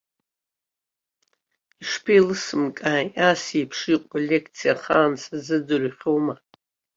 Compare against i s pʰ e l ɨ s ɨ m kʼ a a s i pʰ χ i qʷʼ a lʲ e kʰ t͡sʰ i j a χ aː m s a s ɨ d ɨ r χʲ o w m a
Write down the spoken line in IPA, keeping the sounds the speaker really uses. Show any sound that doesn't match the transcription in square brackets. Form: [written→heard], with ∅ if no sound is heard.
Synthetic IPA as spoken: i [s→ʂ] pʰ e l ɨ s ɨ m kʼ a a s i pʰ [χ→ʂ] i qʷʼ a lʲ e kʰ t͡sʰ i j a χ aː [m→n] s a [s→z] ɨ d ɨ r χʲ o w m a